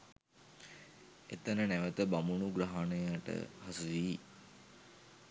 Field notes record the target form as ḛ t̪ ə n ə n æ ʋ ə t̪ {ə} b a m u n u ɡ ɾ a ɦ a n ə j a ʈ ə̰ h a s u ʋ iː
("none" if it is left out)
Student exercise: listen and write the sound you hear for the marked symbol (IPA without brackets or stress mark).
ə